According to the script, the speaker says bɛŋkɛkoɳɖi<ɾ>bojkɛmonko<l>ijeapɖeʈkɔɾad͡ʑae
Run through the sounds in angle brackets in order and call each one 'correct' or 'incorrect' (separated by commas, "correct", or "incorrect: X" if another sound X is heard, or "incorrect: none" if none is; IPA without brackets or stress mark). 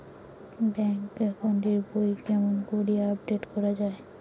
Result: correct, incorrect: ɾ